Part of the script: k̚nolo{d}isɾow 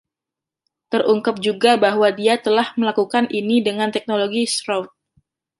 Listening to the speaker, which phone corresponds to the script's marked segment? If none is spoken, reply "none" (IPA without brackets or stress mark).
ɡ